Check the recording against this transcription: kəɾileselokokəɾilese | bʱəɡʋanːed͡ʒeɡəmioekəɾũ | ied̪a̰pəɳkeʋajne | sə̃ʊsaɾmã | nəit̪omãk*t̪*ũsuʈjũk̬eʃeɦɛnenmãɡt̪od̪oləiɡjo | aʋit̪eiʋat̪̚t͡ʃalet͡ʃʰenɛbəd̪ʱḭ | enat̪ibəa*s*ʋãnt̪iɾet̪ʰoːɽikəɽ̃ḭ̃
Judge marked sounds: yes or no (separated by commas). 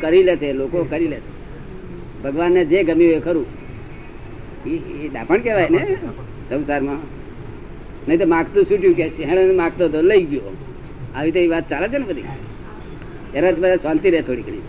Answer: yes, yes